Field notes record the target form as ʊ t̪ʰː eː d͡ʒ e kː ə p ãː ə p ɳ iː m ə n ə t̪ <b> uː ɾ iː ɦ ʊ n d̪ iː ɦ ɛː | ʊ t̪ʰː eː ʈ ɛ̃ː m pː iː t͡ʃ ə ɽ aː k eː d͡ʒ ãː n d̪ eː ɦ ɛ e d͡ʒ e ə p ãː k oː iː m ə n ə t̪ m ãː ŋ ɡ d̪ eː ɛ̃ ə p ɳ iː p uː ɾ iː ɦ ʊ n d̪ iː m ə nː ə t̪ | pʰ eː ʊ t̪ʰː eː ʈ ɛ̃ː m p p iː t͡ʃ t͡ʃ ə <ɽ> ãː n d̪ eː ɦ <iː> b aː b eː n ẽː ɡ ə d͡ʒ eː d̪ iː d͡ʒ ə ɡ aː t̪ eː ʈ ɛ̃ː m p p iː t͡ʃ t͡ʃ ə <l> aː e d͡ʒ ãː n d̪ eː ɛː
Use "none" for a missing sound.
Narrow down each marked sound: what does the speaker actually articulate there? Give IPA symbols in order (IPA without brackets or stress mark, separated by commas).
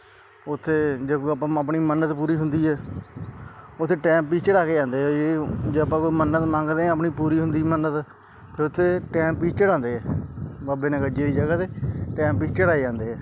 p, ɽ, ɛː, ɽ